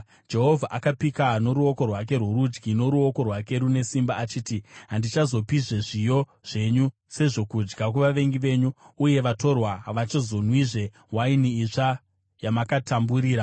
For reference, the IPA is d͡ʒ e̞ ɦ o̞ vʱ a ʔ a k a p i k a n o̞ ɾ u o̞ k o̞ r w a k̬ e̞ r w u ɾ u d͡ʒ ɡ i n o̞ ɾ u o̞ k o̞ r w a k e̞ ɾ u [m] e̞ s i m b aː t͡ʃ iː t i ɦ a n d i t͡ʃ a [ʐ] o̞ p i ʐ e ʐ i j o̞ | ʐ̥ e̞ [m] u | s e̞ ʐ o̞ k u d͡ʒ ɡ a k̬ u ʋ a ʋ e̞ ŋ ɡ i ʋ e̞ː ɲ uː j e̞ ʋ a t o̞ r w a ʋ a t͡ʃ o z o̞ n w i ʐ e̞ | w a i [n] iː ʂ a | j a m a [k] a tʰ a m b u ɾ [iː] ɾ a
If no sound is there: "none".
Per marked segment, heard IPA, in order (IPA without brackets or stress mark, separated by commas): n, z, ɲ, n, k, iː